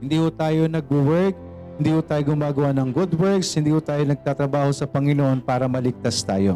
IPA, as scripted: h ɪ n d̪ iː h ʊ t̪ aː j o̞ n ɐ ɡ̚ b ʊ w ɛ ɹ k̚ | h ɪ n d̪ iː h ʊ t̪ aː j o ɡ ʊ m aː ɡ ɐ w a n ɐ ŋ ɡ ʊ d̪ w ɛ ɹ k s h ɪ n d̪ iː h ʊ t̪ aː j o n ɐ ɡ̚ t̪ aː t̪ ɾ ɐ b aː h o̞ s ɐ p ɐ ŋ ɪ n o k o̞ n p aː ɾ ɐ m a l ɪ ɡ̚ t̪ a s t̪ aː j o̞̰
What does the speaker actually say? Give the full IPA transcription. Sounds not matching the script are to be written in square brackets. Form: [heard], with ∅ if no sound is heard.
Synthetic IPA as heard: h ɪ n d̪ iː h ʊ t̪ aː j o̞ n ɐ ɡ̚ b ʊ w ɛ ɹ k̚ | h ɪ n d̪ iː h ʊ t̪ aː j o ɡ ʊ m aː ɡ ɐ w a n ɐ ŋ ɡ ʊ d̪ w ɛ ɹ k s h ɪ n d̪ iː h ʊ t̪ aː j o n ɐ ɡ̚ t̪ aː t̪ ɾ ɐ b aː h o̞ s ɐ p ɐ ŋ ɪ n o [ʔ] o̞ n p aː ɾ ɐ m [ɐ] l ɪ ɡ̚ t̪ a s t̪ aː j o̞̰